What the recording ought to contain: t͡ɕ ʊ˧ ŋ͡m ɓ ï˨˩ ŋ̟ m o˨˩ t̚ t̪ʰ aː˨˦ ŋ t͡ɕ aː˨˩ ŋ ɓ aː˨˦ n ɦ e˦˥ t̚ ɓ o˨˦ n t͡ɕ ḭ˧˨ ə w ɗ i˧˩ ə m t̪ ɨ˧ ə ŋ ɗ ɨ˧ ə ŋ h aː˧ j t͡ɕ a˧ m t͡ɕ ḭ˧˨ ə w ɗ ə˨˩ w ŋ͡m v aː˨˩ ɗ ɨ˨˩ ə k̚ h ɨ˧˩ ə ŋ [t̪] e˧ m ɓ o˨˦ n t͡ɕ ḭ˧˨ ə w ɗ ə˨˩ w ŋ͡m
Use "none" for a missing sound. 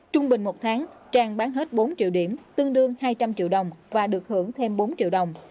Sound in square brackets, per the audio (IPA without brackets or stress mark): t̪ʰ